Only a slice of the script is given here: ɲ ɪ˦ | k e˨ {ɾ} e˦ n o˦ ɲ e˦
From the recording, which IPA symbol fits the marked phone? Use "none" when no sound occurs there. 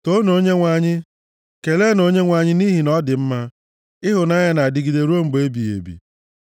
l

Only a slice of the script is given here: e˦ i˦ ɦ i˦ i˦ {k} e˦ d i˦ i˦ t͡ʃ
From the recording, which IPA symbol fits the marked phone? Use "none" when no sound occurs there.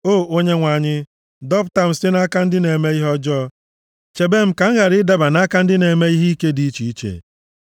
k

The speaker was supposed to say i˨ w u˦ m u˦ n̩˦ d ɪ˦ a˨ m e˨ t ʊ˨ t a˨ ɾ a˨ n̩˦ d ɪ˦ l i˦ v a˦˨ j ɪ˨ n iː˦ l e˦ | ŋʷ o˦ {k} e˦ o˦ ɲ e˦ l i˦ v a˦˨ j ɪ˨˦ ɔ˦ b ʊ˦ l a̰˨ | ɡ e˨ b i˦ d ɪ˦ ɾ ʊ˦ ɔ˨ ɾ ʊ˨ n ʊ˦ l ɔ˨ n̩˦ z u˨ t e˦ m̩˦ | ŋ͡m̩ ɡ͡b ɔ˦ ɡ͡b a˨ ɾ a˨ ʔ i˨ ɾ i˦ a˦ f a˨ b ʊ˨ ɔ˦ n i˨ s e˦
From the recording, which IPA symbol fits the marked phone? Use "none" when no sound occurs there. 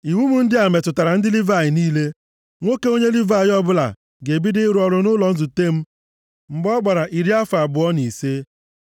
k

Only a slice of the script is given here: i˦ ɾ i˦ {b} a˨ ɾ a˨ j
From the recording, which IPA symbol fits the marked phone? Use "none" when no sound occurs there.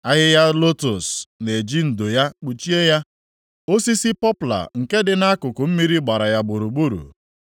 ɡ͡b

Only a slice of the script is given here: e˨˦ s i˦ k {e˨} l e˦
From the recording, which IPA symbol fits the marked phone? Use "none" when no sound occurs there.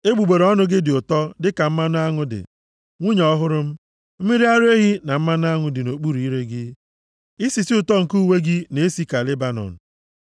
a˨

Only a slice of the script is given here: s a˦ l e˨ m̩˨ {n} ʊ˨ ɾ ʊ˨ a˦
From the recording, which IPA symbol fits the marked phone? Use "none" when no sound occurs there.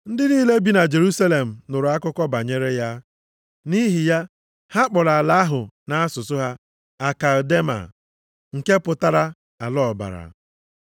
n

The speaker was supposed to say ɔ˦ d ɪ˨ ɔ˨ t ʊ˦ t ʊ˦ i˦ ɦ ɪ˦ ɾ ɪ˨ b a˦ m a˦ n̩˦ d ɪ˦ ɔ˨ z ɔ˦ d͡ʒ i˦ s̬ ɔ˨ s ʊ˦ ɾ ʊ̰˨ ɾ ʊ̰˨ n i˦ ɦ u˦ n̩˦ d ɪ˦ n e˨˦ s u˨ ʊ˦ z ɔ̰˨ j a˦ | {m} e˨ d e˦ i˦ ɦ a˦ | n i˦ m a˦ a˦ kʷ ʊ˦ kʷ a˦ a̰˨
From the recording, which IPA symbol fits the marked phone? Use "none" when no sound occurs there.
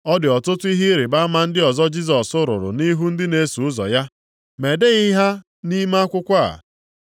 m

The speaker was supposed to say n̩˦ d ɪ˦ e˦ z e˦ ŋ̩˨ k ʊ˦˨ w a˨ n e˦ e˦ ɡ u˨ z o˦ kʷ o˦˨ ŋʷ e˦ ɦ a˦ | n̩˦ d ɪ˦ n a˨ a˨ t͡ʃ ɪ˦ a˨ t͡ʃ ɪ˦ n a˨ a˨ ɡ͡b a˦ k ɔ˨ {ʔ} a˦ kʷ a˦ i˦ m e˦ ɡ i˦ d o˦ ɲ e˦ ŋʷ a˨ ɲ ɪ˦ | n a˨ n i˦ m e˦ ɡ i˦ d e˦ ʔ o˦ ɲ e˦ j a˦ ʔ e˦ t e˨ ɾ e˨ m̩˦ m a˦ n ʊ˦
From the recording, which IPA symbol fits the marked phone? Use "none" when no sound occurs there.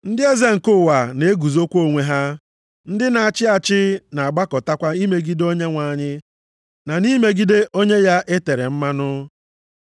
t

